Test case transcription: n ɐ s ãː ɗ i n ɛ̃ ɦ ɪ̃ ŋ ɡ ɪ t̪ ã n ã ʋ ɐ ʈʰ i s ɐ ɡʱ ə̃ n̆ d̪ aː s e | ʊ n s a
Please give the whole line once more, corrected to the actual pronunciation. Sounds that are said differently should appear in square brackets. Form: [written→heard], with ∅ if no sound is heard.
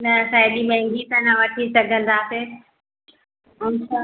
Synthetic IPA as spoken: n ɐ s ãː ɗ i [n→m] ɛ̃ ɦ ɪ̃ ŋ ɡ [ɪ→i] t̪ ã n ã ʋ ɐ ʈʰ i s ɐ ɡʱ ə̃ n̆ d̪ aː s e | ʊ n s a